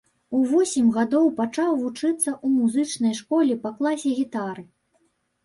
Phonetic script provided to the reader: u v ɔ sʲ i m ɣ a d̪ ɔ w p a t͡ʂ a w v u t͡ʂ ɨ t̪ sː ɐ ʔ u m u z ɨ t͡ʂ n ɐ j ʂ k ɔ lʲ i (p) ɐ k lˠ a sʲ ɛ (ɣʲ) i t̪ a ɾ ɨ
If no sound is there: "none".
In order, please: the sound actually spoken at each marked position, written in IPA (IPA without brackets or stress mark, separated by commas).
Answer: p, ɣʲ